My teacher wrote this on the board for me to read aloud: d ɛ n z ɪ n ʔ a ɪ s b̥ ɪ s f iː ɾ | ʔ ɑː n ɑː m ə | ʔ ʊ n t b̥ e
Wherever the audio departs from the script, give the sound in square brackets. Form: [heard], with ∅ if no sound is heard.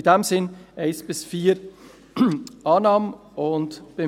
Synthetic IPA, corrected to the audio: d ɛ [m] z ɪ n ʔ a ɪ s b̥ ɪ s f iː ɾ | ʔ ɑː n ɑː m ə | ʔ ʊ n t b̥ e